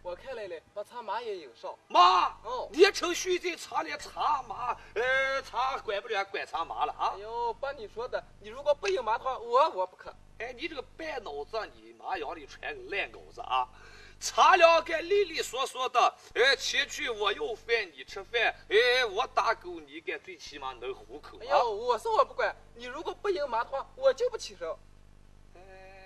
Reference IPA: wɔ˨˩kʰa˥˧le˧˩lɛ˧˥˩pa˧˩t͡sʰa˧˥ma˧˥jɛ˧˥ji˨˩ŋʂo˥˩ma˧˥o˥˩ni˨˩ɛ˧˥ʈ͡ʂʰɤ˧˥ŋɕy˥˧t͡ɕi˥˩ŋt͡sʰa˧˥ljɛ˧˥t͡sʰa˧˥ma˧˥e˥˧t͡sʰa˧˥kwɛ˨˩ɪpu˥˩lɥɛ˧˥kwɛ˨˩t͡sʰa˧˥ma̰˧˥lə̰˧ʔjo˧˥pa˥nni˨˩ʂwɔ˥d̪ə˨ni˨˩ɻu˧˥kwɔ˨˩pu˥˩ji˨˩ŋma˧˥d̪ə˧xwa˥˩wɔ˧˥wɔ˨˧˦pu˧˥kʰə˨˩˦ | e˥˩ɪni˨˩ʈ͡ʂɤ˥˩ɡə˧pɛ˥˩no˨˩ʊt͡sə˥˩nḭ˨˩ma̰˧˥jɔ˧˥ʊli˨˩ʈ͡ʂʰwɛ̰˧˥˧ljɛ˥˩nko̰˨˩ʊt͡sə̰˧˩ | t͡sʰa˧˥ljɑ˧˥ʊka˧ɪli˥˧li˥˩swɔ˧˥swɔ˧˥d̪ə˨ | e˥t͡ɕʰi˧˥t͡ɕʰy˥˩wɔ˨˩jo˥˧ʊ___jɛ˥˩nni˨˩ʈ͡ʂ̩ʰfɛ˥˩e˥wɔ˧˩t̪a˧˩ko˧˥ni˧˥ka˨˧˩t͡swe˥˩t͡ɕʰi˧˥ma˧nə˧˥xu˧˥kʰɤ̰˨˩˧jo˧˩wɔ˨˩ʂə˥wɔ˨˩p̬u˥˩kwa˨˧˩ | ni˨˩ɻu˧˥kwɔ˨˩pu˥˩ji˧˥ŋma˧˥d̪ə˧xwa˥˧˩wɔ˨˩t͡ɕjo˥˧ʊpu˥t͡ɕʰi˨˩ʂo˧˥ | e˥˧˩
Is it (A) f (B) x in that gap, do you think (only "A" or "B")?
A